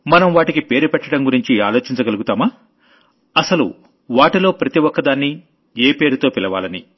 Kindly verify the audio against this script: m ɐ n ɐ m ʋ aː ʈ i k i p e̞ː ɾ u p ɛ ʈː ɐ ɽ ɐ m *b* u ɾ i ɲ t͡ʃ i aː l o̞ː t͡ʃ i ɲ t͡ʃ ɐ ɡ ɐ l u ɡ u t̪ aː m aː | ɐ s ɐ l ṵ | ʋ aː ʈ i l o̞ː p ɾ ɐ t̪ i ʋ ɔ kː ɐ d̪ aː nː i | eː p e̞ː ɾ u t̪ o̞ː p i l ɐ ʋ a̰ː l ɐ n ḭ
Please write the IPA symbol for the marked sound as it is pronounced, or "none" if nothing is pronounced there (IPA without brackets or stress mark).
ɡ